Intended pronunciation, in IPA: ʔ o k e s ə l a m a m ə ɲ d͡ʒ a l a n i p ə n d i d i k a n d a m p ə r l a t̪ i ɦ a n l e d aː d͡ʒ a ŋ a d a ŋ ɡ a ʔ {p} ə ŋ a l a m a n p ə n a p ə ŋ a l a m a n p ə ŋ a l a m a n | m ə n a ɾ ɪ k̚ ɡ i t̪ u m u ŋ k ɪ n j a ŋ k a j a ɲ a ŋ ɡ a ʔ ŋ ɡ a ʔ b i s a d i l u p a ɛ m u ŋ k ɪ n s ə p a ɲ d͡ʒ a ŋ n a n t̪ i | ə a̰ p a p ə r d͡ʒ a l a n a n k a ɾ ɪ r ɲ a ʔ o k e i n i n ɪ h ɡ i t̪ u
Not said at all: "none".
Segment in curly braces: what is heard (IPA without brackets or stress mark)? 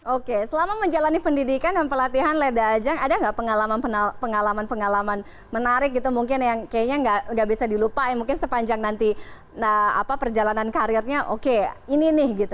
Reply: p